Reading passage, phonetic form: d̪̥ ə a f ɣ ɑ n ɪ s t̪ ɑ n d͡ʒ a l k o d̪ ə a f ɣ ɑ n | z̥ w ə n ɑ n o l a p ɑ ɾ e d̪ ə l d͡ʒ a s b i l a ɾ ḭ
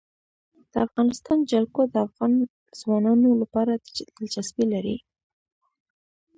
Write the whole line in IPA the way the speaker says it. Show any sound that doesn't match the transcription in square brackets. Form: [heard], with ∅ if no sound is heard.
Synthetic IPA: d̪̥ ə a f ɣ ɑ n ɪ s t̪ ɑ n d͡ʒ a l k o d̪ ə a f ɣ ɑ n | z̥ w [ɑ] n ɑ n o l a p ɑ ɾ [a] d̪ ə l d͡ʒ a s b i l a ɾ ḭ